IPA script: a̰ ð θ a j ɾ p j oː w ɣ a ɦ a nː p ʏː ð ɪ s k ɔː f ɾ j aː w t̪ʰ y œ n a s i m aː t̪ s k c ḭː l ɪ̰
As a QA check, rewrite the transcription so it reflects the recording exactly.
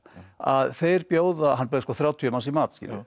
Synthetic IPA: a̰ ð θ e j ɾ p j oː w ð a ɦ a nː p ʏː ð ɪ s k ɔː θ ɾ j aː w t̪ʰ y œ m a s i m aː t̪ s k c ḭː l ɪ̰